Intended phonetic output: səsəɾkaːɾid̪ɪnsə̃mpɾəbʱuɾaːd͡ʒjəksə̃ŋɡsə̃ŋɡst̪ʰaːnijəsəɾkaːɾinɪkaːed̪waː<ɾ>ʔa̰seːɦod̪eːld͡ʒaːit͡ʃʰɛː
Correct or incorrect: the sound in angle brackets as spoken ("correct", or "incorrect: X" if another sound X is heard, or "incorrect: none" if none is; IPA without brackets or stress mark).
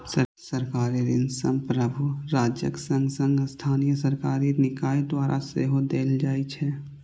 correct